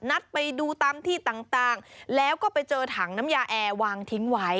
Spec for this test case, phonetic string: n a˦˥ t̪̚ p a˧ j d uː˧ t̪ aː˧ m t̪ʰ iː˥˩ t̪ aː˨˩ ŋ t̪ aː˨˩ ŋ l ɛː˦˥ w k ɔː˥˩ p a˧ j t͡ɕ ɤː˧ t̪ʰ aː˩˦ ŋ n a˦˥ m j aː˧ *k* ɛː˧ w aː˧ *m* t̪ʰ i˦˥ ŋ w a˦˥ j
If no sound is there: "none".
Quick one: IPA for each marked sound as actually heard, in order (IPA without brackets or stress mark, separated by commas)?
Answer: ʔ, ŋ